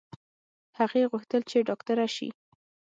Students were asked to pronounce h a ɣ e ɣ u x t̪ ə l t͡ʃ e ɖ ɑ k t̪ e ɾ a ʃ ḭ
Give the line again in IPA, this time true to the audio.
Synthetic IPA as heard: h a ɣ e ɣ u x t̪ ə l t͡ʃ e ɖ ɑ k t̪ a ɾ a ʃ ḭ